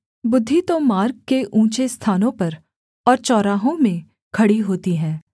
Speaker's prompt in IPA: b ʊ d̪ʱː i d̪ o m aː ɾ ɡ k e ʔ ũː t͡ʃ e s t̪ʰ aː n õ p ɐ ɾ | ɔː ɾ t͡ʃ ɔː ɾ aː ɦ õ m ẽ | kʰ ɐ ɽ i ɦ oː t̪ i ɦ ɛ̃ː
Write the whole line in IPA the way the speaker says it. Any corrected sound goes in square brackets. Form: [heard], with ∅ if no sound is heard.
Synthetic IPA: b ʊ d̪ʱː i [t̪] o m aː ɾ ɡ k e ʔ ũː t͡ʃ e s t̪ʰ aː n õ p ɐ ɾ | ɔː ɾ t͡ʃ ɔː ɾ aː ɦ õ m ẽ | kʰ ɐ ɽ i ɦ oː t̪ i ɦ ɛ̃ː